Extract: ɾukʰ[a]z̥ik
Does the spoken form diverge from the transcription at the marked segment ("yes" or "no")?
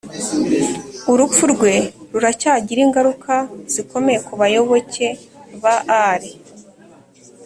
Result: no